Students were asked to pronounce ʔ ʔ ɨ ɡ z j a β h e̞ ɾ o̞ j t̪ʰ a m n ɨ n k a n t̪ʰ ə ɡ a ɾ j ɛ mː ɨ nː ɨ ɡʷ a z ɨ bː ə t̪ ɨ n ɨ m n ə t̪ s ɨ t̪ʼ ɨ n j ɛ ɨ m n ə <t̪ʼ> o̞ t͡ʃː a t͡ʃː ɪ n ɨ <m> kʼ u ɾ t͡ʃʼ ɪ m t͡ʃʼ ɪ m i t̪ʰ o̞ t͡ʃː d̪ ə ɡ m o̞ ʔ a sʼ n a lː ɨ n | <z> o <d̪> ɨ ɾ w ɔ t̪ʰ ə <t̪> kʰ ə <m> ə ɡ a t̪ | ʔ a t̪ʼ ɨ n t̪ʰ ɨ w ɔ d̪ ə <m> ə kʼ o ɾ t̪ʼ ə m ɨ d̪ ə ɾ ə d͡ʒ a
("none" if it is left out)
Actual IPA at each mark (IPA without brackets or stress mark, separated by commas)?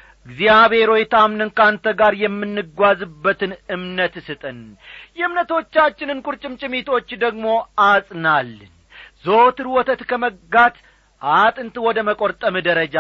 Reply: t̪, n, z, t̪, t̪, m, m